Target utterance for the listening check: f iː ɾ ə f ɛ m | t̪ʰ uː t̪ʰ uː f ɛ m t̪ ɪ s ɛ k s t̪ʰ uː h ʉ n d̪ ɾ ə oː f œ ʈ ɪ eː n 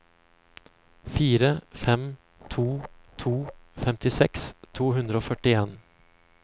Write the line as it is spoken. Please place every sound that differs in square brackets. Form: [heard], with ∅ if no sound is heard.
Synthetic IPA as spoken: f iː ɾ ə f ɛ m | t̪ʰ uː t̪ʰ uː f ɛ m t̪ ɪ s ɛ k s t̪ʰ uː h ʉ n d̪ ɾ ə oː f œ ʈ ɪ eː n